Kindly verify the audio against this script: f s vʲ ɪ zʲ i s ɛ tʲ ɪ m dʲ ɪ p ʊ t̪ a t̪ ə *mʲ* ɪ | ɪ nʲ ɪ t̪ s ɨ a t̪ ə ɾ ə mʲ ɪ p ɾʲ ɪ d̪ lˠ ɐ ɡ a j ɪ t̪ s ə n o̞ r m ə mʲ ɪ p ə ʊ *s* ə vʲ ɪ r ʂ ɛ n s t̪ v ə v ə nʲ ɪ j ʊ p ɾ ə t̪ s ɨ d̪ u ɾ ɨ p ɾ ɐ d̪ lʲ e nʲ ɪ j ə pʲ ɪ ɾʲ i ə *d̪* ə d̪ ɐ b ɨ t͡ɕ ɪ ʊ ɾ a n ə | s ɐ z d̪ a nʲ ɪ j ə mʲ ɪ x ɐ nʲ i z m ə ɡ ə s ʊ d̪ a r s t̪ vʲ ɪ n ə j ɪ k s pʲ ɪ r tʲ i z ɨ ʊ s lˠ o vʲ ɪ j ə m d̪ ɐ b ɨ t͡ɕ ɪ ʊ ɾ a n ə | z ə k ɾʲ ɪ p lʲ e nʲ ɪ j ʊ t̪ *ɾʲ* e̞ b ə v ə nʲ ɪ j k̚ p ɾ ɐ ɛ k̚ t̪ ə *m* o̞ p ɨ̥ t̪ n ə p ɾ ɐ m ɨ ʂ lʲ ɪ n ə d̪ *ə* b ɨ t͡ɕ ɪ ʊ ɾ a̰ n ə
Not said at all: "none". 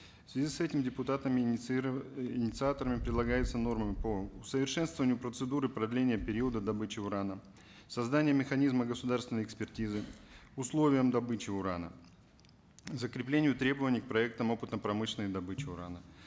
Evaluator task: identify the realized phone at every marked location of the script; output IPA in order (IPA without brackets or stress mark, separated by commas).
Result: mʲ, s, d̪, ɾʲ, m, ɐ